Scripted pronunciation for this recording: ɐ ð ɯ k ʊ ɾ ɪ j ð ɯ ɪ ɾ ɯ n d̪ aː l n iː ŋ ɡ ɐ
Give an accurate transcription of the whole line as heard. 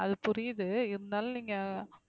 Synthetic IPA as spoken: ɐ ð ɯ p ʊ ɾ ɪ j ð ɯ ɪ ɾ ɯ n d̪ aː l n iː ŋ ɡ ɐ